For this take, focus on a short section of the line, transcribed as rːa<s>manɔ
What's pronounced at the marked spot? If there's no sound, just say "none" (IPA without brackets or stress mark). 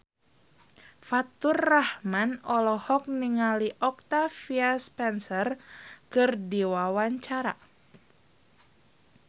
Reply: h